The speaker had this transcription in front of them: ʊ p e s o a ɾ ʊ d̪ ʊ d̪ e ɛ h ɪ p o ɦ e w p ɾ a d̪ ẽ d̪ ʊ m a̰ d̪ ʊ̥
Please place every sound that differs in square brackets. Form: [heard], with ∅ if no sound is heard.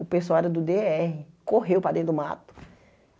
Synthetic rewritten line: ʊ p e s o a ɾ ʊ d̪ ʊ d̪ e ɛ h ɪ [k] o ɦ e w p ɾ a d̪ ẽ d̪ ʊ m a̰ [t̪] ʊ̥

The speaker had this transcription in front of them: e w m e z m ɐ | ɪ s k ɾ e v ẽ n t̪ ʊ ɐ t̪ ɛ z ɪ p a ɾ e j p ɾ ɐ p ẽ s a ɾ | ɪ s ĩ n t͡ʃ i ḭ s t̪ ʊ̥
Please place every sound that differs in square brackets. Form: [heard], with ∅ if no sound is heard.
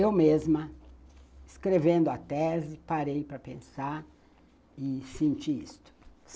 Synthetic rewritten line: e w m e z m ɐ | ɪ s k ɾ e v ẽ n [d̪] ʊ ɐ t̪ ɛ z ɪ p a ɾ e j p ɾ ɐ p ẽ s a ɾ | ɪ s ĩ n t͡ʃ i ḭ s t̪ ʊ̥

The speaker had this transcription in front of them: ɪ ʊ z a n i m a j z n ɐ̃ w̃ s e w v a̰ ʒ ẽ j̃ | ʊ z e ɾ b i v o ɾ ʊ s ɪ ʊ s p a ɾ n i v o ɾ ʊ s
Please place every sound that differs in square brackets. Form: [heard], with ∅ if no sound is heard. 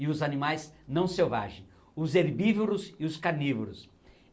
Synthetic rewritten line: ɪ ʊ z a n i m a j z n ɐ̃ w̃ s e w v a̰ ʒ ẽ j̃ | ʊ z e ɾ b i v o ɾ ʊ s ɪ ʊ s [k] a ɾ n i v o ɾ ʊ s

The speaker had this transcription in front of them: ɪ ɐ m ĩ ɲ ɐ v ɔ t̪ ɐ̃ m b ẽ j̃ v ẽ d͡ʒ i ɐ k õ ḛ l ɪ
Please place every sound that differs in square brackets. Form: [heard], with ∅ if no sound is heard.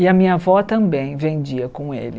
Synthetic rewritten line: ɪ ɐ m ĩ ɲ ɐ v ɔ t̪ ɐ̃ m b ẽ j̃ v ẽ d͡ʒ i ɐ k õ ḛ l ɪ

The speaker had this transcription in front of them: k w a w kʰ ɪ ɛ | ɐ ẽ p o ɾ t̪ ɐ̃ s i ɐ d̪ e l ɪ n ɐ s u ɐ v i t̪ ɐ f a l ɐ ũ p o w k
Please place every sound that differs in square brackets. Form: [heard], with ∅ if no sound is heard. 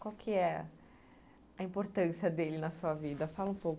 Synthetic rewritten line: k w a w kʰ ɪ ɛ | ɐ [ĩ] p o ɾ t̪ ɐ̃ s i ɐ d̪ e l ɪ n ɐ s u ɐ v i [d̪] ɐ f a l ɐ ũ p o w k

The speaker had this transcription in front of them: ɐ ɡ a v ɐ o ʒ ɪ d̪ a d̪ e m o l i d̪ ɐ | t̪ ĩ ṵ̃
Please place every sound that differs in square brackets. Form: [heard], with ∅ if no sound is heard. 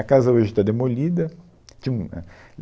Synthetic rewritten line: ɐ [k] a [z] ɐ o ʒ ɪ [t̪] a d̪ e m o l i d̪ ɐ | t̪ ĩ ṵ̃

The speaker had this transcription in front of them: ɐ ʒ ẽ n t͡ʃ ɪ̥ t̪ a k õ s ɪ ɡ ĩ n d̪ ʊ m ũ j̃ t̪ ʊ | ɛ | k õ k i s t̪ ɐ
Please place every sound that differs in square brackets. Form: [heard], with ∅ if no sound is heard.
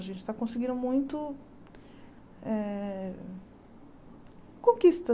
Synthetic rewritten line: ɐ ʒ ẽ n t͡ʃ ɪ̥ t̪ a k õ s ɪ ɡ ĩ n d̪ ʊ m ũ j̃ t̪ ʊ | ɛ | k õ k i s t̪ ɐ

